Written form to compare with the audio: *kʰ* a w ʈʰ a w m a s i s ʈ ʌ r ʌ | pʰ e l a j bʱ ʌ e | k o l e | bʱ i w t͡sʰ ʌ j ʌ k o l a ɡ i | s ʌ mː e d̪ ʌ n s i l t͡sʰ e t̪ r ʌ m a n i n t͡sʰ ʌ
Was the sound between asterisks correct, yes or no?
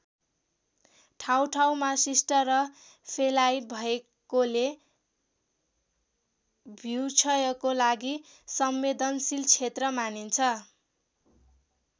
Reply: no